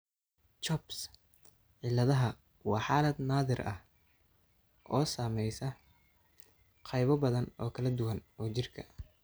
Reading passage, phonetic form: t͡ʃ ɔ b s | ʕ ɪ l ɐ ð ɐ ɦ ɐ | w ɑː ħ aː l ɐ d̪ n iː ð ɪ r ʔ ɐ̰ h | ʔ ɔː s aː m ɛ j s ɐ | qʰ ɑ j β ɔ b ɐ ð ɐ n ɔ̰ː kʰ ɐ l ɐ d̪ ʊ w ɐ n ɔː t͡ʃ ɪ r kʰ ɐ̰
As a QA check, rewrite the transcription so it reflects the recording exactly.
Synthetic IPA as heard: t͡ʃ ɔ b s | ʕ ɪ l ɐ ð ɐ ɦ ɐ | w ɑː ħ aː l ɐ d̪ n aː ð ɪ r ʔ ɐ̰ h | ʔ ɔː s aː m ɛ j s ɐ | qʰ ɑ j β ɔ b ɐ ð ɐ n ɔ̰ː kʰ ɐ l ɐ d̪ ʊ w ɐ n ɔː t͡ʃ ɪ r kʰ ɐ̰